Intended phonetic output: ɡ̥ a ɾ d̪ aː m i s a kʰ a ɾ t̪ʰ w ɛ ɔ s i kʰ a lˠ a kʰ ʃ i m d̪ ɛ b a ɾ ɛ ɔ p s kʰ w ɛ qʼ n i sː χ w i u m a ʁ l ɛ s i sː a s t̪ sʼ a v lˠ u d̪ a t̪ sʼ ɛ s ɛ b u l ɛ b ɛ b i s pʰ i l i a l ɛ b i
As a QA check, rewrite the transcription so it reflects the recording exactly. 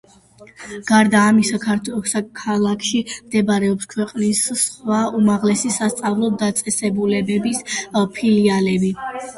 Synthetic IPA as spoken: ɡ̥ a ɾ d̪ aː m i s a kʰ a ɾ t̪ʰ w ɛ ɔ s a kʰ a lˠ a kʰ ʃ i m d̪ ɛ b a ɾ ɛ ɔ p s kʰ w ɛ qʼ n i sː χ w a u m a ʁ l ɛ s i s a s t̪ sʼ a v lˠ ɔ d̪ a t̪ sʼ ɛ s ɛ b u l ɛ b ɛ b i s pʰ i l i a l ɛ b i